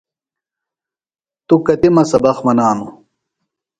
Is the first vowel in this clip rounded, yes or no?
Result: yes